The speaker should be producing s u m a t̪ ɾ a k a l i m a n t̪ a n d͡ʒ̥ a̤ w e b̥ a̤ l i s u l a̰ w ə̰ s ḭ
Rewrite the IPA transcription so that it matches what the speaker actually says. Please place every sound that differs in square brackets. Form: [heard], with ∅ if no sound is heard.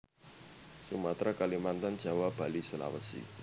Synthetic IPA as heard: s u m a t̪ ɾ a k a l i m a n t̪ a n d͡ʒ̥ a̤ w [a] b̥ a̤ l i s u l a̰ w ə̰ s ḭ